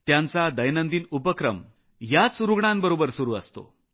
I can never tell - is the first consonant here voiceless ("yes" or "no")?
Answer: yes